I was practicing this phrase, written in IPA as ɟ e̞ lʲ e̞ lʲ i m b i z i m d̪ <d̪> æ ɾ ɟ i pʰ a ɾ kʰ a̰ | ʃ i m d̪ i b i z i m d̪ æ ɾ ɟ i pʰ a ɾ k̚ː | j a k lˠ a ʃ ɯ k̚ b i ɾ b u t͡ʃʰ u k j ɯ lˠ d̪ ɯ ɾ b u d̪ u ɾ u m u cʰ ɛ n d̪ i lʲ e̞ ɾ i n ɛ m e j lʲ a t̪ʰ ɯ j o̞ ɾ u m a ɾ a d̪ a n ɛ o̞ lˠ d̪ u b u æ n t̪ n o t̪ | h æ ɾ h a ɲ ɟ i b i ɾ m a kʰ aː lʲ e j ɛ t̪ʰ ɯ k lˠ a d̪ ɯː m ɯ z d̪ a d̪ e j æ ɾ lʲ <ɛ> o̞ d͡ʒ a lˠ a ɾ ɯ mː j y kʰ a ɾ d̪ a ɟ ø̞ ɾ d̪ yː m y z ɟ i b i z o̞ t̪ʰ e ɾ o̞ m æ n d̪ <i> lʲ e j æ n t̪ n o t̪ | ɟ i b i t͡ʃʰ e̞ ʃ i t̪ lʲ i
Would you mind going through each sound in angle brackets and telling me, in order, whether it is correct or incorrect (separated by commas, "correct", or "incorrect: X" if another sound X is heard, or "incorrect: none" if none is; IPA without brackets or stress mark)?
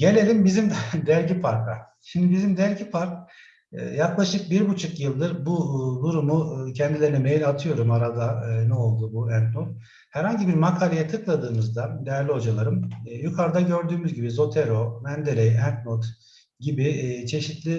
correct, incorrect: i, incorrect: e